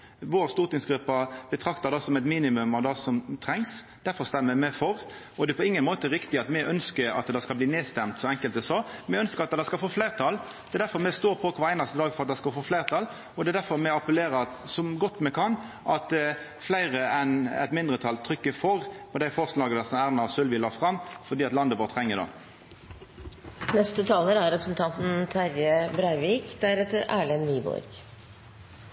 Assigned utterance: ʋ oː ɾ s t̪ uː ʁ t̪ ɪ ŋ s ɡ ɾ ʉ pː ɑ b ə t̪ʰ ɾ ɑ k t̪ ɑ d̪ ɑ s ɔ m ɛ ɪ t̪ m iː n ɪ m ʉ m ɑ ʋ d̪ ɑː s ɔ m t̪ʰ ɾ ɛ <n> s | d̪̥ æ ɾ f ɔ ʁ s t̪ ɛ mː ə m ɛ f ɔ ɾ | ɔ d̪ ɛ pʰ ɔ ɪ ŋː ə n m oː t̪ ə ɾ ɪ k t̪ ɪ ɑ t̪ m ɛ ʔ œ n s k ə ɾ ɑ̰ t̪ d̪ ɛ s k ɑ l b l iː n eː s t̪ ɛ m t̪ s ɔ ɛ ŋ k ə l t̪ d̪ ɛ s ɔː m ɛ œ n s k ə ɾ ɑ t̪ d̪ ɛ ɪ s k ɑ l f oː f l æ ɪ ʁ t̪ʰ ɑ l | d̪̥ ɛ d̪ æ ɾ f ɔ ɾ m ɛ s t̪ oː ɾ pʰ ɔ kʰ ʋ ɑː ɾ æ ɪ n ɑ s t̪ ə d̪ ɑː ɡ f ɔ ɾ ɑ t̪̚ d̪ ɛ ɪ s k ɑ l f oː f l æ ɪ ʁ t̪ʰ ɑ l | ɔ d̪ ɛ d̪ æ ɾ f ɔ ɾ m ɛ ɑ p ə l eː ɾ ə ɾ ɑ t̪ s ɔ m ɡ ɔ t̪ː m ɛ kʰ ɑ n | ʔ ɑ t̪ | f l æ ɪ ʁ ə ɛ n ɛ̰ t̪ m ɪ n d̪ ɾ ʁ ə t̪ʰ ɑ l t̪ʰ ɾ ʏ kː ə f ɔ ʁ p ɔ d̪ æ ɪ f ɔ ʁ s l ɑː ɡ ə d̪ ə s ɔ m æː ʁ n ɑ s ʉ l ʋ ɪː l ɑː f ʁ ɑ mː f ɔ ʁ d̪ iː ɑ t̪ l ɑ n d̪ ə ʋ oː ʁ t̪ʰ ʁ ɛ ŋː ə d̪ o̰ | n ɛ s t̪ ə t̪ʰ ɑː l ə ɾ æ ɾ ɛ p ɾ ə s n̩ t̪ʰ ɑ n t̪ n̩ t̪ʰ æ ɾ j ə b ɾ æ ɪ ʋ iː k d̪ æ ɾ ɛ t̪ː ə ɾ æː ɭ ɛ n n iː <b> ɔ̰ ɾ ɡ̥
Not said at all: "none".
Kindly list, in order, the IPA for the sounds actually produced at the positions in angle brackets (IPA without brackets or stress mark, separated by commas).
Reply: ŋ, b